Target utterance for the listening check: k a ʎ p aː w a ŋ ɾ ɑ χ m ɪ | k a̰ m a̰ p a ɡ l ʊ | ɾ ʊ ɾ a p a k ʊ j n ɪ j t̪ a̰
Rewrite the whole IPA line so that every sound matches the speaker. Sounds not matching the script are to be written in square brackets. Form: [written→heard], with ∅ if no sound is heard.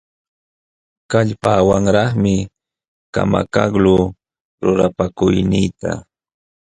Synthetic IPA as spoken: k a ʎ p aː w a ŋ ɾ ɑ χ m ɪ | k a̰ m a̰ [p→k] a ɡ l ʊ | ɾ ʊ ɾ a p a k ʊ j n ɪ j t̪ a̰